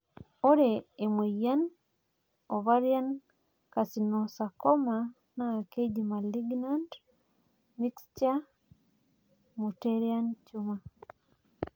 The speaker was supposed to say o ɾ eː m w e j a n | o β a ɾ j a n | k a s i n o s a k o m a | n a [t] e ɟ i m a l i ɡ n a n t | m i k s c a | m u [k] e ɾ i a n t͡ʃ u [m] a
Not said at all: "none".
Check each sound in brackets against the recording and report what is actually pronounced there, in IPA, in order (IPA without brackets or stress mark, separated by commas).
k, t, m